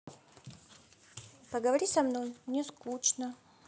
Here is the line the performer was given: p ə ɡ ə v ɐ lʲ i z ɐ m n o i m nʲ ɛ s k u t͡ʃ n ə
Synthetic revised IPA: p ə ɡ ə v ɐ ɾʲ i s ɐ m n o j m nʲ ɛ s k u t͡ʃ n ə